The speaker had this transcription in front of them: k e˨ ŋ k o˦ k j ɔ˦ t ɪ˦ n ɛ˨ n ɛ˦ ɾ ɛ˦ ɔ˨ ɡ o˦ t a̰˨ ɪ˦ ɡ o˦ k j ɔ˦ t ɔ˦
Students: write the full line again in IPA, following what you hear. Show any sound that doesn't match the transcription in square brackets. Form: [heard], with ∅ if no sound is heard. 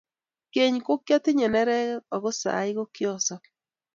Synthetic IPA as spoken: k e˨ [ɲ] k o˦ k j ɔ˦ t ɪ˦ [ɲ] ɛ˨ n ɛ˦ ɾ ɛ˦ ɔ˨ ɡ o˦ [s] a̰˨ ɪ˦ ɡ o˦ k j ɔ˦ [s] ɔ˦